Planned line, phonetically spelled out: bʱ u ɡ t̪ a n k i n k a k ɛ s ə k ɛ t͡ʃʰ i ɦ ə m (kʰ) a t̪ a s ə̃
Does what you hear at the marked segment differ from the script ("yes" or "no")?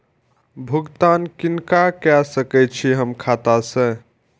no